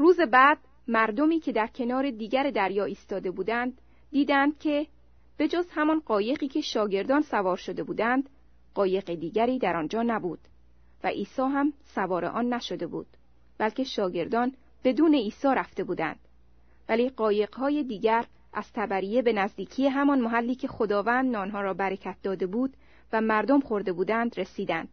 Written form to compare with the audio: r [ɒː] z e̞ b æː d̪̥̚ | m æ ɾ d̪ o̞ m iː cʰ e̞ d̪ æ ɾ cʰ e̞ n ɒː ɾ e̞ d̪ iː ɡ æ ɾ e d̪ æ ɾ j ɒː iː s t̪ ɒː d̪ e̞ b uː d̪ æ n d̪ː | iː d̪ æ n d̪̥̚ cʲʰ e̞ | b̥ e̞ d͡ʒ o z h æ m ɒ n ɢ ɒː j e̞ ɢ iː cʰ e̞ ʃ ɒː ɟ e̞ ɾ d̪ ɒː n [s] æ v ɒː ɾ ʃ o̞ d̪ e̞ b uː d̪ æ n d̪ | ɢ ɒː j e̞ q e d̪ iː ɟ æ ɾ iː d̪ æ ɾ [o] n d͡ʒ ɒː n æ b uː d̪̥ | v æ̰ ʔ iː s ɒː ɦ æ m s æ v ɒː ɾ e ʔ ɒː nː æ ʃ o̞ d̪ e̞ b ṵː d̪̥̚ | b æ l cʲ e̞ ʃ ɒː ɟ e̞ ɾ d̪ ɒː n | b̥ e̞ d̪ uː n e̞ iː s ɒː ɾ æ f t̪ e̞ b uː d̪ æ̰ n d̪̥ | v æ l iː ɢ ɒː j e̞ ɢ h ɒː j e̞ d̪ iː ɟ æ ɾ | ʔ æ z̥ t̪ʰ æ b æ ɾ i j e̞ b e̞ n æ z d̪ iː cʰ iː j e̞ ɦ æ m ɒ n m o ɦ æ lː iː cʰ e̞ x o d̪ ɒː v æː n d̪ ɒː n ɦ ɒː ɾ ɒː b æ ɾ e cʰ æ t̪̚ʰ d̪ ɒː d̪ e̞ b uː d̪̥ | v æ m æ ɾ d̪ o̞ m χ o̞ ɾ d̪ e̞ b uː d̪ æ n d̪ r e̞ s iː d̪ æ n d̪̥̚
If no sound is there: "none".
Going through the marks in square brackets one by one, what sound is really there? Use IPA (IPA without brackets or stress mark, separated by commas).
uː, s, ɒ